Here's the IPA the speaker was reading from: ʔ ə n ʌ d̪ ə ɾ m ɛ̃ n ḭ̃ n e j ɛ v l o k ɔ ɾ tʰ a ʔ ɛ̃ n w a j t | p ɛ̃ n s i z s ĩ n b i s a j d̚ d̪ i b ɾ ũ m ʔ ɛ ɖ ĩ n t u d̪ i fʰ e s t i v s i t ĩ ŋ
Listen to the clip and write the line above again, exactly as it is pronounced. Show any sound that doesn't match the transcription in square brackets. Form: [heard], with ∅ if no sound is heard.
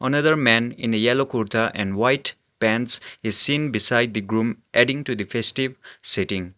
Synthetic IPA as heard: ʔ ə n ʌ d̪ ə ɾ m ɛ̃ n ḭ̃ n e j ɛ [∅] l o k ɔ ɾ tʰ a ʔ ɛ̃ n w a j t | p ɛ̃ n s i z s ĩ n b i s a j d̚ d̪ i [ɡ] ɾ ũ m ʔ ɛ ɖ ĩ [ŋ] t u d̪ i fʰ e s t i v s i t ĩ ŋ